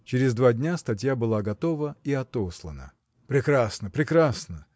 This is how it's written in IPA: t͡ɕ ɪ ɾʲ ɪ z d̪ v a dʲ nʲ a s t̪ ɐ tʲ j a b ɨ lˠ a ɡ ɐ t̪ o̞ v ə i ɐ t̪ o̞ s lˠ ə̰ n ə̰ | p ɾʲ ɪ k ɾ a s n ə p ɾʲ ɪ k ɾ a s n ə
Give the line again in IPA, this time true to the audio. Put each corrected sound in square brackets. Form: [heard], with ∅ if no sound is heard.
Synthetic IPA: t͡ɕ ɪ ɾʲ ɪ z d̪ v a dʲ nʲ a s t̪ ɐ tʲ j a b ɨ lˠ a ɡ ɐ t̪ o̞ v ə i ɐ t̪ o̞ s lˠ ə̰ n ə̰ | p ɾʲ ɪ k ɾ a s n ə p ɾʲ ɪ k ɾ a s n ə